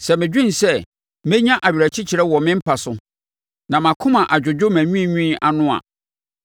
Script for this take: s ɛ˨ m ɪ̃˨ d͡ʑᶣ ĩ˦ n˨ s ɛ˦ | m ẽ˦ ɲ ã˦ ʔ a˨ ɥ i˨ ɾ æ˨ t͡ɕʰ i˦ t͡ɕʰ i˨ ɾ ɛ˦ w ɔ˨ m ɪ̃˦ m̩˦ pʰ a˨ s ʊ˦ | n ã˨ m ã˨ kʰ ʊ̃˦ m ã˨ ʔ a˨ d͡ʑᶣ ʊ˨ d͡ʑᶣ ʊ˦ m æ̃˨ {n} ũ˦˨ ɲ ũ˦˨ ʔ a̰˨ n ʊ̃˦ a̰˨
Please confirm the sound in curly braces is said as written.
no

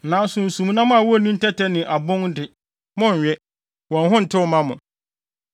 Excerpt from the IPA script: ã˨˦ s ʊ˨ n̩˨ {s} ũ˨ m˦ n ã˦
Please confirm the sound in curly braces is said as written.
yes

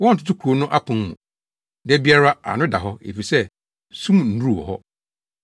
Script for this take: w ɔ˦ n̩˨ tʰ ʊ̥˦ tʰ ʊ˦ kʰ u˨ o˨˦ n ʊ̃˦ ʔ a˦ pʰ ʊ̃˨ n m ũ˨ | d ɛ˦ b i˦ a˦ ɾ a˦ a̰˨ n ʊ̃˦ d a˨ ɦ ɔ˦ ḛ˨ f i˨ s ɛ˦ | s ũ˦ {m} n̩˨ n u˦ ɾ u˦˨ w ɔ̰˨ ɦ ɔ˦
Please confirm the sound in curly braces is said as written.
yes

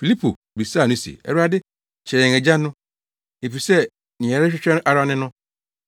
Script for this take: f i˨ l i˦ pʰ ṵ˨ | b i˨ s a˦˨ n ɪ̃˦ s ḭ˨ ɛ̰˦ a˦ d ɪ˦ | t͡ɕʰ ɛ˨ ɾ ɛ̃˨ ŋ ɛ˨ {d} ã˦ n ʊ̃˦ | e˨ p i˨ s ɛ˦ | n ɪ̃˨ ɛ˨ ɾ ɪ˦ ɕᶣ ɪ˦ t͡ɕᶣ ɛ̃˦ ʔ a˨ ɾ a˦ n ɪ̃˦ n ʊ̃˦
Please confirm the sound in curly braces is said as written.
no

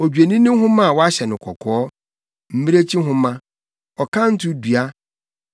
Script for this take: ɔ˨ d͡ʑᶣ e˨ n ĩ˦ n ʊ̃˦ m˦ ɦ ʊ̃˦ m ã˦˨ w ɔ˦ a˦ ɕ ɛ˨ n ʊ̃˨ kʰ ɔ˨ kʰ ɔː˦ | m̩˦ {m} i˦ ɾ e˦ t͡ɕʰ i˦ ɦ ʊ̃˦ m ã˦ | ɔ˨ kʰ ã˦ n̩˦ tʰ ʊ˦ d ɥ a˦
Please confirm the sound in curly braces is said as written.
yes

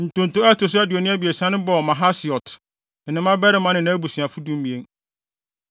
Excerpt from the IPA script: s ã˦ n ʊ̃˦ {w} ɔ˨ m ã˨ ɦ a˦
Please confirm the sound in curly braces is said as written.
no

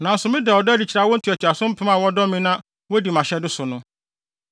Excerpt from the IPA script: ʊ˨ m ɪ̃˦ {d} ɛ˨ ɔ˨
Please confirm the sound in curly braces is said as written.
yes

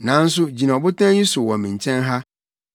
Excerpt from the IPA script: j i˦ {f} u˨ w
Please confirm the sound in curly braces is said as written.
no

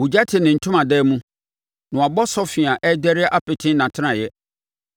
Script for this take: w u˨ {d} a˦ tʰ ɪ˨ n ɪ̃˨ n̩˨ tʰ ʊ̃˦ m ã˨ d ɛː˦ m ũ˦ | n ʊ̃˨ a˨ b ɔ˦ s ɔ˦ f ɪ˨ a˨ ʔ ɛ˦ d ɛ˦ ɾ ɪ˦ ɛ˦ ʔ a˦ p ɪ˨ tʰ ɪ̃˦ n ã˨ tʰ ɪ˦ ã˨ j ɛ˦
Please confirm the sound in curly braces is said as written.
no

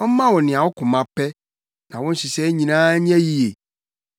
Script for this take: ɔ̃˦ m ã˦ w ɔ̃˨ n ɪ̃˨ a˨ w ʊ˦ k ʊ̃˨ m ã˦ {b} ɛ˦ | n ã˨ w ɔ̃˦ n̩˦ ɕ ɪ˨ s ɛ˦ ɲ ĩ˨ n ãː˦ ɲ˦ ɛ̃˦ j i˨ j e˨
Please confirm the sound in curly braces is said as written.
no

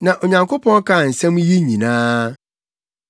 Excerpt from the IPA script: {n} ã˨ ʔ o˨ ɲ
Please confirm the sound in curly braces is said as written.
yes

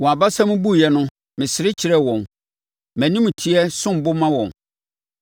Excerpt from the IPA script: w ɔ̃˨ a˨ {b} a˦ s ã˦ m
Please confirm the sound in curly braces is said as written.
yes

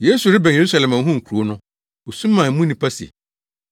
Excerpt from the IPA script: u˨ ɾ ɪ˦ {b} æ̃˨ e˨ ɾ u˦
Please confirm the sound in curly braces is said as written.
yes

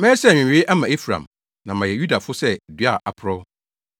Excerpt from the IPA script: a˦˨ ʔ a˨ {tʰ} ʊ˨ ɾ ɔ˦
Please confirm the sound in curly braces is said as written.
no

